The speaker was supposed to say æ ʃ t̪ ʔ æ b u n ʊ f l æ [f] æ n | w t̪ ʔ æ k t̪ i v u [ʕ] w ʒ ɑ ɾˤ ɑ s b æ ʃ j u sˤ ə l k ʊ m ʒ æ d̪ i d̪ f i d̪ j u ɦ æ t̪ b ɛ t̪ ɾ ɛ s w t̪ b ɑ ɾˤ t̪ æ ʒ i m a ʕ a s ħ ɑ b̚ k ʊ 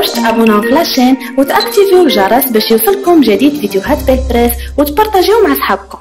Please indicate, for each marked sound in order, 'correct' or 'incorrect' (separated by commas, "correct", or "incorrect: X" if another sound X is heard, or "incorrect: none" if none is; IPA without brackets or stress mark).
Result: incorrect: ʃ, incorrect: none